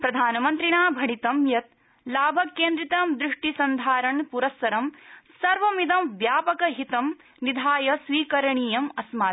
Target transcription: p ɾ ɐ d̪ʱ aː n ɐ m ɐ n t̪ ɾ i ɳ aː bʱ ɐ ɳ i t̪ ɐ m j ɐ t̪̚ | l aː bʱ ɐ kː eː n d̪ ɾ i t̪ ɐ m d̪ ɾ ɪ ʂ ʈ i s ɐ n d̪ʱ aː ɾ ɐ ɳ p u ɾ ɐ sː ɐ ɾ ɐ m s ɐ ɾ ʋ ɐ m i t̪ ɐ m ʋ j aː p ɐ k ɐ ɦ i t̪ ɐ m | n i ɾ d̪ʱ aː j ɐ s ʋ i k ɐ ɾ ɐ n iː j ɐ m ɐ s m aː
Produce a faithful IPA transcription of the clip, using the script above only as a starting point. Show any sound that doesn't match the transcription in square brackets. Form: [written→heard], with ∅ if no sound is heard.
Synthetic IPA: p ɾ ɐ d̪ʱ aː n ɐ m ɐ n t̪ ɾ i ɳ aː bʱ ɐ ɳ i t̪ ɐ m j ɐ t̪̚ | l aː bʱ ɐ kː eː n d̪ ɾ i t̪ ɐ m d̪ ɾ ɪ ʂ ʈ i s ɐ n d̪ʱ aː ɾ ɐ ɳ p u ɾ ɐ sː ɐ ɾ ɐ m s ɐ ɾ ʋ ɐ m i [t̪→d̪] ɐ m ʋ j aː p ɐ k ɐ ɦ i t̪ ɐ m | n i [ɾ→∅] d̪ʱ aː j ɐ s ʋ [i→iː] k ɐ ɾ ɐ [n→ɳ] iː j ɐ m ɐ s m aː